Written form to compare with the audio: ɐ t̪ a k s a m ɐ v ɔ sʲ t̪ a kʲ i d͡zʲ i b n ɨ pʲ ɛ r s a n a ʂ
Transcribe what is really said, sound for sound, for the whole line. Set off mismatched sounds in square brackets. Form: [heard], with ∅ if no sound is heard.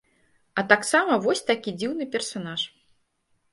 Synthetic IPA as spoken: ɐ t̪ a k s a m ɐ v ɔ sʲ t̪ a kʲ i d͡zʲ i [w] n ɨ pʲ ɛ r s a n a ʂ